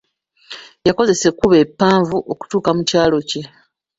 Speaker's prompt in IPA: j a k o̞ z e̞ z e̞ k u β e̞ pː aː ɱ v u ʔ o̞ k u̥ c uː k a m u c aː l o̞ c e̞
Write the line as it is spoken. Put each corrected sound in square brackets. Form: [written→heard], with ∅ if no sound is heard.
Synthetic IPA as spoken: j a k o̞ z e̞ [z→s] e̞ k u β e̞ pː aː ɱ v u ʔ o̞ k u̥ [c→t] uː k a m u c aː l o̞ c e̞